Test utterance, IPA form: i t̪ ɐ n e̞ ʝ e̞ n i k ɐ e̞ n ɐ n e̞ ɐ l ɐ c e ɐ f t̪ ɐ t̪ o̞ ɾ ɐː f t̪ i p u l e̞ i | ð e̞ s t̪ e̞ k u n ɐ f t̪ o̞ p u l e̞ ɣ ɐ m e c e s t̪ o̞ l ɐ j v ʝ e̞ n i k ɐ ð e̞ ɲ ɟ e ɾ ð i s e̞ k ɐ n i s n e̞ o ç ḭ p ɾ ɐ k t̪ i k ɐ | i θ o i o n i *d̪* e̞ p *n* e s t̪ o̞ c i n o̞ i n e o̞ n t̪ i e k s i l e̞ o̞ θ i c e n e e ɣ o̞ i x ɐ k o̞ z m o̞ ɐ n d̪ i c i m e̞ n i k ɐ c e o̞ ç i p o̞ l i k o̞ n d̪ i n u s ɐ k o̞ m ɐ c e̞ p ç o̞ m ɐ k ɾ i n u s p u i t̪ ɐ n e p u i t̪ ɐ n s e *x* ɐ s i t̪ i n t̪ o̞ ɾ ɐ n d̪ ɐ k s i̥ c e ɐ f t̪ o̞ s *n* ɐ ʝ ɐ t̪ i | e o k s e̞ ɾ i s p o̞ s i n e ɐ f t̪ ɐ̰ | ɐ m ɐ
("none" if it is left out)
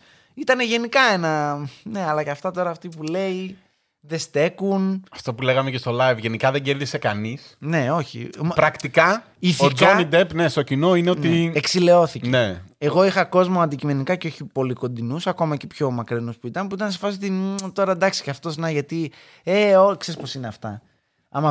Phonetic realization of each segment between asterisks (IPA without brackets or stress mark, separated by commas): d̪, n, f, n